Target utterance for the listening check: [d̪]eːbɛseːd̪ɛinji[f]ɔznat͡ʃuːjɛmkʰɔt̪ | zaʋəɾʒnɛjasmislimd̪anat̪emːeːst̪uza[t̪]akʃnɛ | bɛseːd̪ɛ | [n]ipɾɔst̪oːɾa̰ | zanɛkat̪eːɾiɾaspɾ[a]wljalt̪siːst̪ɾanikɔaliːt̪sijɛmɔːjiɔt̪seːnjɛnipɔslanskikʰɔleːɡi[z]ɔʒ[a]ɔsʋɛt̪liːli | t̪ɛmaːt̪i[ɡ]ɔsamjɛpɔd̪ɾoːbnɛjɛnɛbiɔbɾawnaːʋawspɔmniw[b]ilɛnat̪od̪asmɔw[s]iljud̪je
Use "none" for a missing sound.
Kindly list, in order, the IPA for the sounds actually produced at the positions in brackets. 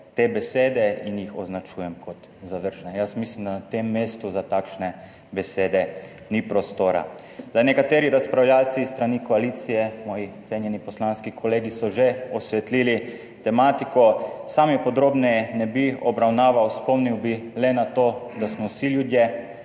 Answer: t̪, x, t̪, n, a, s, e, k, b, s

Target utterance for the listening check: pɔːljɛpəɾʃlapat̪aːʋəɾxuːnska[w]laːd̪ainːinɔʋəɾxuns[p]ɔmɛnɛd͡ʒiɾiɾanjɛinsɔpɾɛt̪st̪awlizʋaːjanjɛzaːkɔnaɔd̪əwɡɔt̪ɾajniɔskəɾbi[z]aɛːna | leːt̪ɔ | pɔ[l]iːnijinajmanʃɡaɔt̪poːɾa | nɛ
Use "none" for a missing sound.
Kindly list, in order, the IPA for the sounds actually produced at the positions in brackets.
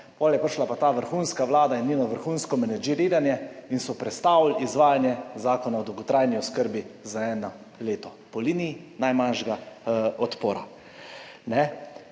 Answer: ʋ, k, z, l

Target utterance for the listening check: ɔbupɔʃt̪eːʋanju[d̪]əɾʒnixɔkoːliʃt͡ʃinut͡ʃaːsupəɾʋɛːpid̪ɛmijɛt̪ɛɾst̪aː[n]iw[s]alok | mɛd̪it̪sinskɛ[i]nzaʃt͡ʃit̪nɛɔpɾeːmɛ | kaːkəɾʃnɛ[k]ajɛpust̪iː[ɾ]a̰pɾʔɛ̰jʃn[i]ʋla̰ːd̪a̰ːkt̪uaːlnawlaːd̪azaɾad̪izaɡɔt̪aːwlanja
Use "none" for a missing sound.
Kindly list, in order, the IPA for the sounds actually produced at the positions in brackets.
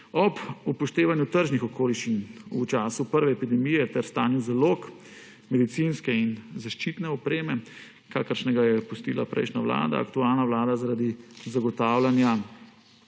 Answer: t̪, n, z, i, ɡ, l, a

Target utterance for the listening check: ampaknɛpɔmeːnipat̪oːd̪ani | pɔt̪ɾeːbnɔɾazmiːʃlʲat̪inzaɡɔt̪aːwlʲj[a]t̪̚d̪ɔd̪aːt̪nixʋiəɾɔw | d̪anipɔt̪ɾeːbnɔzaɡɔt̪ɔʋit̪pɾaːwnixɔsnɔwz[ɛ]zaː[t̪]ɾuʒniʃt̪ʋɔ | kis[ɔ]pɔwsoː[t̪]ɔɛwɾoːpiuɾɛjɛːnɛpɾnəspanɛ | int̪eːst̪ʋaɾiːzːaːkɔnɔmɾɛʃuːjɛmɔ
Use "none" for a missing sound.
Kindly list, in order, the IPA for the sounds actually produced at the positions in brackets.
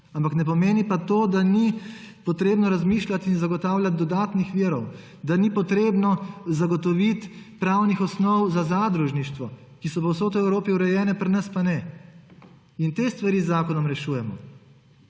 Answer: a, a, d̪, ɔ, t̪

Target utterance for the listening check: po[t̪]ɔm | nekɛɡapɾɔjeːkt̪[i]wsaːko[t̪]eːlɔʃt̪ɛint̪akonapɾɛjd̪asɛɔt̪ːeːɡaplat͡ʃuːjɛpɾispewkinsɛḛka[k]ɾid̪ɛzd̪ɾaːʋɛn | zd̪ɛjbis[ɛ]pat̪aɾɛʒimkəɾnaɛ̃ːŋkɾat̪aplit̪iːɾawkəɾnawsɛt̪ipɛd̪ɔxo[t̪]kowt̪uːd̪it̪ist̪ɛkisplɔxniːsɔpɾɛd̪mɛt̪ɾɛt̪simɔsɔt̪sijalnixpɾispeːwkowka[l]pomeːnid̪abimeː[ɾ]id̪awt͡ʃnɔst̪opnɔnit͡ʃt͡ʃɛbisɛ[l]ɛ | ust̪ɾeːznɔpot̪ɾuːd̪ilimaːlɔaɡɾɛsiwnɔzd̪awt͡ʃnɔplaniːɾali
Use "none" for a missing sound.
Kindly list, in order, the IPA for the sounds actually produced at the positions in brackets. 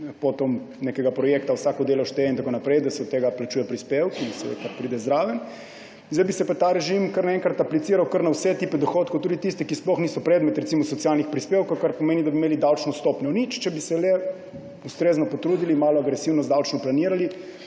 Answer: t̪, a, d̪, p, ɛ, t̪, ɾ, l, l

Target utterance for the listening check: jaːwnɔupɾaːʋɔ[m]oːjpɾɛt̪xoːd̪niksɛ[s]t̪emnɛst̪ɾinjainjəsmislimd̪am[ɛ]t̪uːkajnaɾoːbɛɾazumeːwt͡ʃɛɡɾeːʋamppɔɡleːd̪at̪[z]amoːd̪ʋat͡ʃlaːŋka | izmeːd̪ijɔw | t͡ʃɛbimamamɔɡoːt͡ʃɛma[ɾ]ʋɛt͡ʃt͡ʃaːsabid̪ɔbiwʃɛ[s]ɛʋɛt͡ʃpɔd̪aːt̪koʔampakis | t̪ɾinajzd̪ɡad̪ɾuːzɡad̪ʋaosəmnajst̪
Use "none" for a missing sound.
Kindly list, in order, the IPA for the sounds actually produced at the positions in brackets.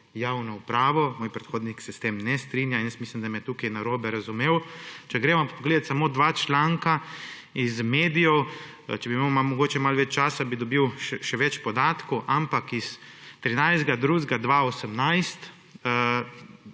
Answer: m, s, ɛ, s, l, ʃ

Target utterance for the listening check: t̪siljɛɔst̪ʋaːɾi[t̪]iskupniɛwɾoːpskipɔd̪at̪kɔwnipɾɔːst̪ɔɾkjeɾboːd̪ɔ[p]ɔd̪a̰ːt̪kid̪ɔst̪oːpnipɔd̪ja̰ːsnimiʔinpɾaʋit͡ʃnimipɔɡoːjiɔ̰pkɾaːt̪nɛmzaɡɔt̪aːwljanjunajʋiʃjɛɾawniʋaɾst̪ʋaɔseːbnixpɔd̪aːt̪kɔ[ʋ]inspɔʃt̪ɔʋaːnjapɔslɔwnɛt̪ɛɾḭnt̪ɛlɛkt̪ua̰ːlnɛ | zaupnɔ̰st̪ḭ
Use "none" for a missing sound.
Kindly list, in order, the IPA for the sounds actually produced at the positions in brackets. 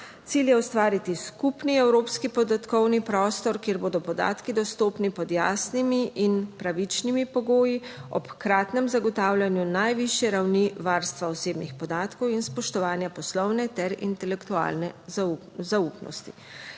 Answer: t̪, p, w

